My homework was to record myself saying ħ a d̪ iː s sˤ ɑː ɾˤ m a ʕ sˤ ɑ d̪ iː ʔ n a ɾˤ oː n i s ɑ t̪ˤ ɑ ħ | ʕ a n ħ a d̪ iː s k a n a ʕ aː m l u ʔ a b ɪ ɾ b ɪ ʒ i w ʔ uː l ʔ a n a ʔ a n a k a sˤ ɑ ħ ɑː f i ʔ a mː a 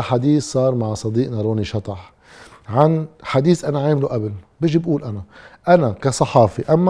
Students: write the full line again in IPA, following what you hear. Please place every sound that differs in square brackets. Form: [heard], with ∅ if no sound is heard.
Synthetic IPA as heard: ħ a d̪ iː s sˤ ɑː ɾˤ m a ʕ sˤ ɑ d̪ iː ʔ n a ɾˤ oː n i [ʃ] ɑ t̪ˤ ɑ ħ | ʕ a n ħ a d̪ iː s [ʔ] a n a ʕ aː m l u ʔ a b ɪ [l] b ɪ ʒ i [b] ʔ uː l ʔ a n a ʔ a n a k a sˤ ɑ ħ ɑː f i ʔ a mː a